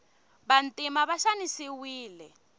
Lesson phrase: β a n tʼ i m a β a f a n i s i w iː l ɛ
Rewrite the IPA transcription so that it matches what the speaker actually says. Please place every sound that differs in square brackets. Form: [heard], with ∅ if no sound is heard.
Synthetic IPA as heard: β a n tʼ i m a β a [ʃ] a n i s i w iː l ɛ